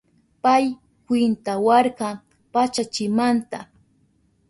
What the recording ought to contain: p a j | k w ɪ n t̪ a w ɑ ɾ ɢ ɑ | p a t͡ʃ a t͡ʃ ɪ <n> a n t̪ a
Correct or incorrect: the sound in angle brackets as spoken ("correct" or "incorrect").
incorrect